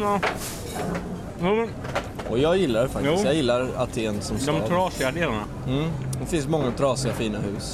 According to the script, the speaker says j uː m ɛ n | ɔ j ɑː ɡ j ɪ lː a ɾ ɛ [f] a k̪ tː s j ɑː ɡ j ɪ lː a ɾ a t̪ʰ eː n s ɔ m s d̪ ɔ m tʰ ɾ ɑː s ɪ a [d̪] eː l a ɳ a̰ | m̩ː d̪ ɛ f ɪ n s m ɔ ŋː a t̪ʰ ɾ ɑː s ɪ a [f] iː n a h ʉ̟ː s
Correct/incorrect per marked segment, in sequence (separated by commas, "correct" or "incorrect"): correct, correct, correct